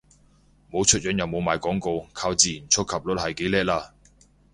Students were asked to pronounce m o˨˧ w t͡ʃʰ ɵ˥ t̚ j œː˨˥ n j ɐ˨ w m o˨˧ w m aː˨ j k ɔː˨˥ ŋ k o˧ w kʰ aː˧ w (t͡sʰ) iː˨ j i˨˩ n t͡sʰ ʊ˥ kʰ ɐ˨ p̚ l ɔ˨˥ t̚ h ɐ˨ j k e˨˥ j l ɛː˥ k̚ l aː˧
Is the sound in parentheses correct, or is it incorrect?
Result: incorrect